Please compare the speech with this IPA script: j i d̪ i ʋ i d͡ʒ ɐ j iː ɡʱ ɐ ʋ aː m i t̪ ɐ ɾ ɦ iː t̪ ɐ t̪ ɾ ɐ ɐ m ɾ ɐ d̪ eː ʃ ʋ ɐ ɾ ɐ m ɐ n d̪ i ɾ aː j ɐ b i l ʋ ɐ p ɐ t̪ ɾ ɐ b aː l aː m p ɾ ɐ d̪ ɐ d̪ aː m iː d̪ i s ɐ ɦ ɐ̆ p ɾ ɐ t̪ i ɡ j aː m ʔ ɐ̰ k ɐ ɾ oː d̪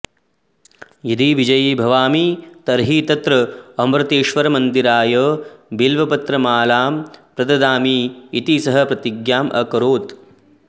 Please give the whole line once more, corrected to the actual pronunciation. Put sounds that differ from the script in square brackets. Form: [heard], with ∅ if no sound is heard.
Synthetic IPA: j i d̪ i ʋ i d͡ʒ ɐ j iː [bʱ] ɐ ʋ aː m i t̪ ɐ ɾ ɦ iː t̪ ɐ t̪ ɾ ɐ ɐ m ɾ ɐ [t̪] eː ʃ ʋ ɐ ɾ ɐ m ɐ n d̪ i ɾ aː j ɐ b i l ʋ ɐ p ɐ t̪ ɾ ɐ [m] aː l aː m p ɾ ɐ d̪ ɐ d̪ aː m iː [t̪] i s ɐ ɦ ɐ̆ p ɾ ɐ t̪ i ɡ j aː m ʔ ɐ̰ k ɐ ɾ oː [t̪]

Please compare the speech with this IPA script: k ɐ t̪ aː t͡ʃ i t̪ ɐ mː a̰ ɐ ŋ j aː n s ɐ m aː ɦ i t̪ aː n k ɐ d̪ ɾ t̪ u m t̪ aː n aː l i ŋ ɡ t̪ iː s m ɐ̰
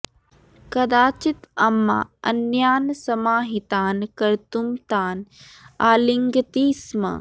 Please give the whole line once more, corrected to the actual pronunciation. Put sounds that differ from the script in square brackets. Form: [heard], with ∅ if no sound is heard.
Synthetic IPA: k ɐ [d̪] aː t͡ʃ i t̪ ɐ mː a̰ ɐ [n] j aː n s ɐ m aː ɦ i t̪ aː n k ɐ [∅] ɾ t̪ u m t̪ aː n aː l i ŋ ɡ t̪ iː s m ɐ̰

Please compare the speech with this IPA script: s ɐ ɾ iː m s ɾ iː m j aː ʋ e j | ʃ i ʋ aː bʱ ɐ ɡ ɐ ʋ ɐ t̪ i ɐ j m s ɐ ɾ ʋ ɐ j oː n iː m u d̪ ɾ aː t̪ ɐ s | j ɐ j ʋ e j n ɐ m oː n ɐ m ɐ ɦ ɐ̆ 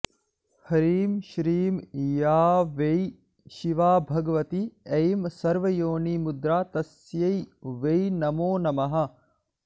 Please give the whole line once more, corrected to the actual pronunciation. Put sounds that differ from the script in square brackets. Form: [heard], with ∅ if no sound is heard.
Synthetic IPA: [h] ɐ ɾ iː m [ʃ] ɾ iː m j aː ʋ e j | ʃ i ʋ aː bʱ ɐ ɡ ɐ ʋ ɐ t̪ i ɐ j m s ɐ ɾ ʋ ɐ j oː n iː m u d̪ ɾ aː t̪ ɐ s | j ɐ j ʋ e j n ɐ m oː n ɐ m ɐ ɦ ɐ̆

